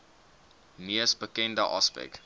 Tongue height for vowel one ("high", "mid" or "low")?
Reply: high